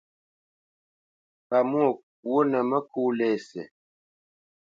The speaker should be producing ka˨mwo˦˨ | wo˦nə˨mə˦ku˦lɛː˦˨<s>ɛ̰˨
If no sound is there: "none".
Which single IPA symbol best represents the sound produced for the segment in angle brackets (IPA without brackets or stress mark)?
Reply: s